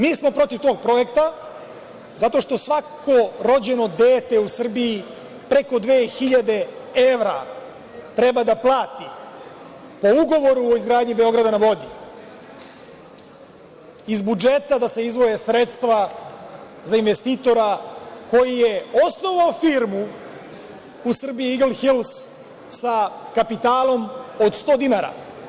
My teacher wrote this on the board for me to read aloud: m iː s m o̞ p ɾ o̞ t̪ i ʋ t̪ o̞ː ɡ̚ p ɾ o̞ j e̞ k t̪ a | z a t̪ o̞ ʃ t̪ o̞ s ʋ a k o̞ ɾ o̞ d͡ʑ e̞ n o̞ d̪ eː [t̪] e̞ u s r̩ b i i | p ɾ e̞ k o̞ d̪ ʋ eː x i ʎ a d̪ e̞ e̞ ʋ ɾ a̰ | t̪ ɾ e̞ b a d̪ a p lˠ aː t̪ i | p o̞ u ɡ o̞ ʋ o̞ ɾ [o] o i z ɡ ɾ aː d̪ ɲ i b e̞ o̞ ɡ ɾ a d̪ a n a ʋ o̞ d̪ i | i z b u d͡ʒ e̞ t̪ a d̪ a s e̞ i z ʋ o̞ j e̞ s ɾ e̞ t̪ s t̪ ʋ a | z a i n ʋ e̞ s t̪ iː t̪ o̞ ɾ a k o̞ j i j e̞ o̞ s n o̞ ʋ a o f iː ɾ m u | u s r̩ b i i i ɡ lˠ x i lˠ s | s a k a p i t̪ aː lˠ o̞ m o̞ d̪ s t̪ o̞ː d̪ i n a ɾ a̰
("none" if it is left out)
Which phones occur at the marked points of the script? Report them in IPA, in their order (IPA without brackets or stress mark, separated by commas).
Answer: t̪, u